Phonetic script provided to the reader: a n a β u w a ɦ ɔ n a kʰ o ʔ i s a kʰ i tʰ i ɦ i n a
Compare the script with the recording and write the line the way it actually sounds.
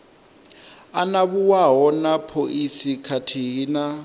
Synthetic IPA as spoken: a n a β u w a ɦ ɔ n a pʰ o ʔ i s i kʰ a tʰ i ɦ i n a